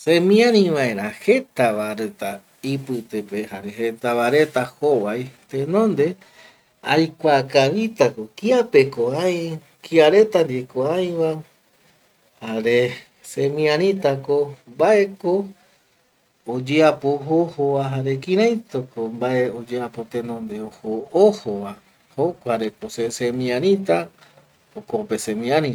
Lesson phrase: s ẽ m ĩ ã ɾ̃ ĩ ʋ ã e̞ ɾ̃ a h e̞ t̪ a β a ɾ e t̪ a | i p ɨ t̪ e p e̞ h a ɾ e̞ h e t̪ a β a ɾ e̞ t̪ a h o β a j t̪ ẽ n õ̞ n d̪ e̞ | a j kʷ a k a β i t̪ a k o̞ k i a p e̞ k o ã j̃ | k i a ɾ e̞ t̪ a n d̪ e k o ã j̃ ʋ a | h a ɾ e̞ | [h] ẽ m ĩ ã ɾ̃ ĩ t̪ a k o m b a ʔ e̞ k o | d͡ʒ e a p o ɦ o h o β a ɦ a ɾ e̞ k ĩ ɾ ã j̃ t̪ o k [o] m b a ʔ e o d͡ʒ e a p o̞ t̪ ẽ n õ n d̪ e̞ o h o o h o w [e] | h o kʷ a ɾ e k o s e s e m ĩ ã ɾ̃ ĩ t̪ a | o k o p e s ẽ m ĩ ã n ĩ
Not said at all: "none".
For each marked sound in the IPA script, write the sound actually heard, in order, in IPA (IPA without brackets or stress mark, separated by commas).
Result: s, o, a